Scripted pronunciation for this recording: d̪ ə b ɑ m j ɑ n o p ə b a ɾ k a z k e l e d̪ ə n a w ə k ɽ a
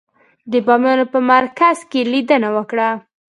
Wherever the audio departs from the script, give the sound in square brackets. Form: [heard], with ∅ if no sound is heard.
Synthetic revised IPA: d̪ ə b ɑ m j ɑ n o p ə [m] a ɾ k a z k e l [i] d̪ ə n a w ə k ɽ a

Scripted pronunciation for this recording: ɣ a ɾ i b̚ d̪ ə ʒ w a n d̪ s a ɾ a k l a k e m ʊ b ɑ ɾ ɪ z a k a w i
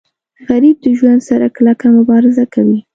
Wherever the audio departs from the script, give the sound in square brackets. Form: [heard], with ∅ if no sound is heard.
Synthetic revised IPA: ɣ a ɾ i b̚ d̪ ə ʒ w a n d̪ s a ɾ a k l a k [a] m ʊ b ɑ ɾ ɪ z a k a w i

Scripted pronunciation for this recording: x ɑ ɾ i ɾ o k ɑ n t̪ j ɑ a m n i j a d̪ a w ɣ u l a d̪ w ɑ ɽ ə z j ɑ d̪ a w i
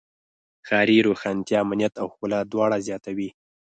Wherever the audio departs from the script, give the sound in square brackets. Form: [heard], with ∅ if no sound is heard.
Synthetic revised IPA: x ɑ ɾ i ɾ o [x] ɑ n t̪ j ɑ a m n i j a [t̪] a w [x] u l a d̪ w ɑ ɽ [a] z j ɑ [t̪] a w i

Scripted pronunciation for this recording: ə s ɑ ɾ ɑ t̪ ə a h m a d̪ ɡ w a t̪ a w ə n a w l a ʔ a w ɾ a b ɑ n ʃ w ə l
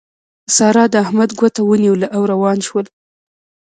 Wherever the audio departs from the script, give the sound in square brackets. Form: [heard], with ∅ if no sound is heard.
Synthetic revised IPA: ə s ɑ ɾ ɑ [d̪] ə a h m a d̪ ɡ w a t̪ a w ə n [i] w l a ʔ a w ɾ a [w] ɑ n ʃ w ə l

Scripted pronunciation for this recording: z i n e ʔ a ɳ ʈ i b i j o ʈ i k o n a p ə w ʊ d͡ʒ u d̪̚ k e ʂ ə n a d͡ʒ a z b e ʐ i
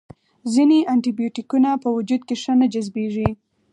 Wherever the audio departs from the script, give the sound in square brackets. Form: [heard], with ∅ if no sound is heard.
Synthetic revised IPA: z i n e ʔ a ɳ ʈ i b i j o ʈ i k [u] n a p ə w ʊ d͡ʒ u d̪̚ k e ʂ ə n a d͡ʒ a z b e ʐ i

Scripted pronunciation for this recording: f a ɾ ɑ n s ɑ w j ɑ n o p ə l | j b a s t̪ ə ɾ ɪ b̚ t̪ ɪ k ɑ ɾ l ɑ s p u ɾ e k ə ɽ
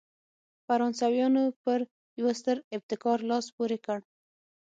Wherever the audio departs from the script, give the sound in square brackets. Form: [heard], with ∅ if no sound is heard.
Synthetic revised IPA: f a ɾ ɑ n s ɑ w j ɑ n o p ə [ɾ] | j [w] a s t̪ ə ɾ ɪ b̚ t̪ ɪ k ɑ ɾ l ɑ s p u ɾ e k ə ɽ

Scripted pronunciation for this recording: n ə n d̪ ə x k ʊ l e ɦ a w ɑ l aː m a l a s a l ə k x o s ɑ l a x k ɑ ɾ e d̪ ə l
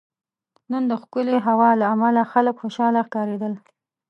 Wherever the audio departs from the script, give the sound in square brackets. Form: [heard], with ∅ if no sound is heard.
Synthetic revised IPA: n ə n d̪ ə x k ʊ l e ɦ a w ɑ l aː m a l a [x] a l ə k x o [ʃ] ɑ l a x k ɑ ɾ e d̪ ə l

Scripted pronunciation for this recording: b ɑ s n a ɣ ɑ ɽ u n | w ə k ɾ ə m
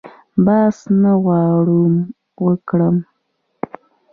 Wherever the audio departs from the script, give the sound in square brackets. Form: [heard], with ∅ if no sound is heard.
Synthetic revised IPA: b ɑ s n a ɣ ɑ ɽ u [m] | w ə k [ɽ] ə m

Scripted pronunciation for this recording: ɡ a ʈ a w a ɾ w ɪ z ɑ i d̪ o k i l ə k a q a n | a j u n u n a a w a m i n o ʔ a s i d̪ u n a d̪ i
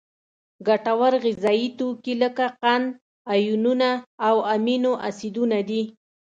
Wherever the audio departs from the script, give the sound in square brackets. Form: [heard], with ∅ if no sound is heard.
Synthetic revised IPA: ɡ a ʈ a w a ɾ [ɣ] ɪ z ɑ i [t̪] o k i l ə k a q a n | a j u n u n a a w a m i n o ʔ a s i d̪ u n a d̪ i

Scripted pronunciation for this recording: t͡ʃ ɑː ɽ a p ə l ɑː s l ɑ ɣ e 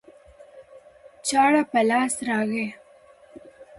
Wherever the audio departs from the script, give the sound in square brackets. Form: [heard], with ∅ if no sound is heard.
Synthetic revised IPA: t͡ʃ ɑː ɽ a p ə l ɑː s [ɾ] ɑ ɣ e

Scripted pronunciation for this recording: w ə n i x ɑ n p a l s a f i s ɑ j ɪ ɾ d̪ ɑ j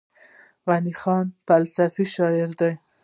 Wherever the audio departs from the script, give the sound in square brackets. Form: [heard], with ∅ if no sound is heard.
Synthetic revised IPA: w [a] n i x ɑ n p a l s a f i [ʃ] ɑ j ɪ ɾ d̪ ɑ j

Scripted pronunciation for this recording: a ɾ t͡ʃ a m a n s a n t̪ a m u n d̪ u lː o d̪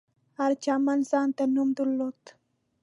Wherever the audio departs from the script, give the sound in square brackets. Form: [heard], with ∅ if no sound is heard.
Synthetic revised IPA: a ɾ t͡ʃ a m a n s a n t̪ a [n] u [m] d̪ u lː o [t̪]

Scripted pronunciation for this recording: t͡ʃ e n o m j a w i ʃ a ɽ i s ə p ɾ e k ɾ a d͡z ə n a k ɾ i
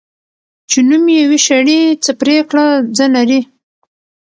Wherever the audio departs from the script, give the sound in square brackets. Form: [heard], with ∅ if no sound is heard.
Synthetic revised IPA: t͡ʃ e n [u] m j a w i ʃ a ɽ i [t͡s] ə p ɾ e k [ɽ] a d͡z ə n a [∅] ɾ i

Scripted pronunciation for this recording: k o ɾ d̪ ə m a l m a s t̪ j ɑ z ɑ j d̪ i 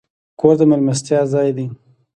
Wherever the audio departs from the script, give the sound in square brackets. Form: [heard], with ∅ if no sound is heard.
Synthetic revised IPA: k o ɾ d̪ ə m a l m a s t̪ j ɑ z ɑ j d̪ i

